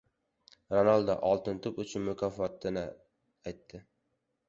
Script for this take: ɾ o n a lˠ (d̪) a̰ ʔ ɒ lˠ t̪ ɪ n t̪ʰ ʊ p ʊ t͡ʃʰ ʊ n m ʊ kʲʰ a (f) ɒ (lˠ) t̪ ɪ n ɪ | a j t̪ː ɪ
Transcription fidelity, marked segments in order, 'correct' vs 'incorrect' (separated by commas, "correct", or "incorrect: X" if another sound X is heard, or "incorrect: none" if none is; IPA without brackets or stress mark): correct, correct, incorrect: none